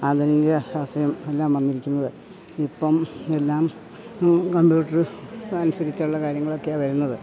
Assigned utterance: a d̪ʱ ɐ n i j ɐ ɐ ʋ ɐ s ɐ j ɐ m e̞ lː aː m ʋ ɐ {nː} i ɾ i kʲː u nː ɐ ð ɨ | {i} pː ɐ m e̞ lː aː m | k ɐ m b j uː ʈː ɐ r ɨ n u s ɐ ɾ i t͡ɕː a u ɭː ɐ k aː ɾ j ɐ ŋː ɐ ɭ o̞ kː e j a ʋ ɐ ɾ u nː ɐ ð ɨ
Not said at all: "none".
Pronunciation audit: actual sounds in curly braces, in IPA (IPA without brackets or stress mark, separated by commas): nː, i